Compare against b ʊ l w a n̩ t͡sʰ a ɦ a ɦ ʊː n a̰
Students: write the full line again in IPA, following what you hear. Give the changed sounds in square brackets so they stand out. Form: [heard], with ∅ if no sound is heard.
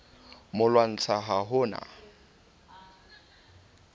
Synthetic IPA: [m] ʊ l w a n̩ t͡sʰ a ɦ a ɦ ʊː n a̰